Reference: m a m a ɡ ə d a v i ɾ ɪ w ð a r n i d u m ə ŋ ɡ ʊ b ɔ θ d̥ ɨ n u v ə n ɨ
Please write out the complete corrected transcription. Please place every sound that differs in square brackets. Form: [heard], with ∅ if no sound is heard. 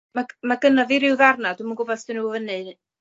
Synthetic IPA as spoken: m a m a ɡ ə [n] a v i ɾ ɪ w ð a r n [a] d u m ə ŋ ɡ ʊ b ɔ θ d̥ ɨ n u v ə n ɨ